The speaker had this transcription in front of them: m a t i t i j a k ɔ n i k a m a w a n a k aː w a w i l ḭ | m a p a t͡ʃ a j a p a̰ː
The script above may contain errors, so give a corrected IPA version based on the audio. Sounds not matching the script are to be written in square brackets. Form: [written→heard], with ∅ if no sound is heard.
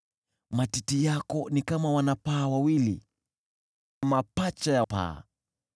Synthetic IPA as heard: m a t i t i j a k ɔ n i k a m a w a n a [k→p] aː w a w i l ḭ | m a p a t͡ʃ a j a p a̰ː